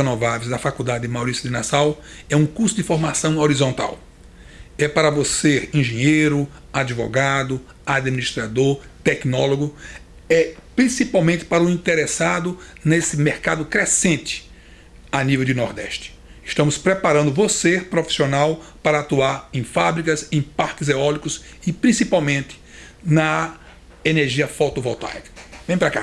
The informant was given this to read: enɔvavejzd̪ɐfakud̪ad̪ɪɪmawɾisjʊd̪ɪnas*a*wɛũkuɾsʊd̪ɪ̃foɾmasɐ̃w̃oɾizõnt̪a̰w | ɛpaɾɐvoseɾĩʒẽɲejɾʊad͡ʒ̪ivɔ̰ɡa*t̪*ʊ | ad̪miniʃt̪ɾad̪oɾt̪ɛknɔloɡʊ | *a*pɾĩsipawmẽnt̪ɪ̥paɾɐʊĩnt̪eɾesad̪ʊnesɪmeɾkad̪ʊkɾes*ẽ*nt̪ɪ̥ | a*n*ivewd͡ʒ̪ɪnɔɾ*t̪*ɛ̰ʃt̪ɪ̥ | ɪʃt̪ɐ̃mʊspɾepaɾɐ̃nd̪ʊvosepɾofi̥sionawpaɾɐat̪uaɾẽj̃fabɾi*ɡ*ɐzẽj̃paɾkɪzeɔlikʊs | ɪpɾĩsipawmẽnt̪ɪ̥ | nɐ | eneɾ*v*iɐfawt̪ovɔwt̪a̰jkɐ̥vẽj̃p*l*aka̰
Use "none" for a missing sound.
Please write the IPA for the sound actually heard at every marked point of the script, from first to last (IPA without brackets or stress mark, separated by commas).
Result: a, d̪, ɛ, ẽ, n, d̪, k, ʒ, ɾ